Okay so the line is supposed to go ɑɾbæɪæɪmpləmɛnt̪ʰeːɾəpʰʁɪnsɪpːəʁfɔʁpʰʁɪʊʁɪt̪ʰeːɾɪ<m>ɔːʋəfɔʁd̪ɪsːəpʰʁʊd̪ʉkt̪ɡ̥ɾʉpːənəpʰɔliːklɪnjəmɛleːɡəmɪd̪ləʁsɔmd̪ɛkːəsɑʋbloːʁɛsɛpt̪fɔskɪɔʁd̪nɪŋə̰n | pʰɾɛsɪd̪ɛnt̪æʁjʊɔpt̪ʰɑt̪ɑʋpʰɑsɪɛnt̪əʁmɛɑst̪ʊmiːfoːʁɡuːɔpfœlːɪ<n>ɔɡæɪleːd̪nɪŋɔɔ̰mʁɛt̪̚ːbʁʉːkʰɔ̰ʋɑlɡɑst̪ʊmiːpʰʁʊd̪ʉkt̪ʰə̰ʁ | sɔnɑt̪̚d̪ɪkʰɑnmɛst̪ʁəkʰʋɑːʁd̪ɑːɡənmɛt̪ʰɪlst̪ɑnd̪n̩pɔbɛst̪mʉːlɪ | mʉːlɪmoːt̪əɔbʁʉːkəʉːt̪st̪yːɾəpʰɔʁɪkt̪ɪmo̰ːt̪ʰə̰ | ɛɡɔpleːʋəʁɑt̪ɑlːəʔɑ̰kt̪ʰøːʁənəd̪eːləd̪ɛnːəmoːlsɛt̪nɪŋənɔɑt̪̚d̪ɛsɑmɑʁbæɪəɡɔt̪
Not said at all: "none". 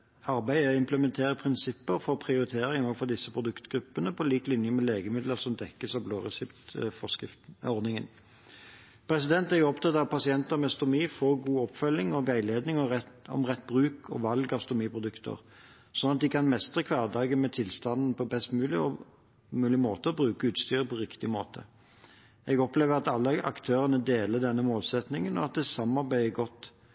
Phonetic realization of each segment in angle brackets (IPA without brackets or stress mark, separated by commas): ŋ, ŋ